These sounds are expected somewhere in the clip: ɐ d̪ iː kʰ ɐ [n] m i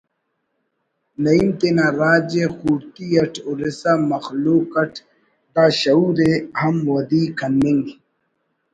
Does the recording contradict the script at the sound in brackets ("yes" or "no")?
no